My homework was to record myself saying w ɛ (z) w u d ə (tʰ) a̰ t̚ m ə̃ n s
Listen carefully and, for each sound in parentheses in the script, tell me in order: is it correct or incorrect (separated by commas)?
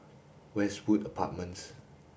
incorrect, incorrect